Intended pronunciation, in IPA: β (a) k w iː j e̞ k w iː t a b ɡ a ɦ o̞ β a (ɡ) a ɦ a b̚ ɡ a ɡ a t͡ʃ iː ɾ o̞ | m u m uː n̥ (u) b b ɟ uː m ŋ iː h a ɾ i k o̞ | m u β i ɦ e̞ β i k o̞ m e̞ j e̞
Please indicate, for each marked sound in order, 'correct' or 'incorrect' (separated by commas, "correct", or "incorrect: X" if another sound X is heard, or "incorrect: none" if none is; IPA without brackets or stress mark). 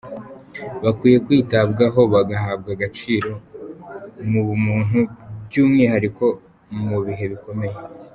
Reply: correct, correct, correct